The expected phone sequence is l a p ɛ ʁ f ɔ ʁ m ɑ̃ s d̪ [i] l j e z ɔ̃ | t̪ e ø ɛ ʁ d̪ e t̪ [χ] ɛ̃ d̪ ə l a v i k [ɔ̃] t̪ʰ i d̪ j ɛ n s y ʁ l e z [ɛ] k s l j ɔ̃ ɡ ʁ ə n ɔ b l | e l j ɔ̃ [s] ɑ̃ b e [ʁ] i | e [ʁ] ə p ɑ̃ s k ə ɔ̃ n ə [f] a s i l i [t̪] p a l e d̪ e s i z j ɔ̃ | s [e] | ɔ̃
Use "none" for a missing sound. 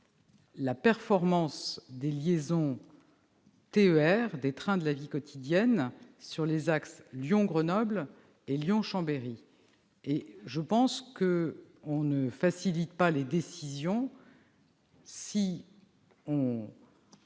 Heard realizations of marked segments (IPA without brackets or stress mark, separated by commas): e, χ, ɔ, a, ʃ, ʁ, ʒ, f, t̪, i